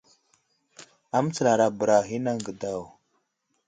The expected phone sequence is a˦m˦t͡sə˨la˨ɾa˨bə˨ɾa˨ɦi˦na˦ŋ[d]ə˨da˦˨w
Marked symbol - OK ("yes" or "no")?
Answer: no